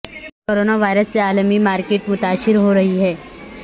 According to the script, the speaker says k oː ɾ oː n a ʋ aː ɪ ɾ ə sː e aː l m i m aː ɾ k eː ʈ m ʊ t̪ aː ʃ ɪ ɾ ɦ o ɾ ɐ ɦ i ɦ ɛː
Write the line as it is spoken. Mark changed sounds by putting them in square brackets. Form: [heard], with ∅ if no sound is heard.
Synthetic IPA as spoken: k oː ɾ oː n a ʋ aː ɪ ɾ ə sː e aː l m i m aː ɾ k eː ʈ m ʊ t̪ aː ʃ ɪ ɾ ɦ o ɾ ɐ ɦ i ɦ ɛː